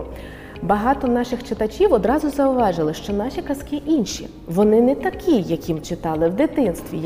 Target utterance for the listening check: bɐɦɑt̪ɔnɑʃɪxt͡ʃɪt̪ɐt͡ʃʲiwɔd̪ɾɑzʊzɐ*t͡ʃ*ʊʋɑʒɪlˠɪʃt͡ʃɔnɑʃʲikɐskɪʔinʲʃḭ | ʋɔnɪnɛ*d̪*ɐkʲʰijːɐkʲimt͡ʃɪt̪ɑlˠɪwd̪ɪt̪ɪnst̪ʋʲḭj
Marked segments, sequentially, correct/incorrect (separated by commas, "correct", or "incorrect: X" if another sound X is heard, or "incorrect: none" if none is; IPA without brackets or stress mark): incorrect: none, incorrect: t̪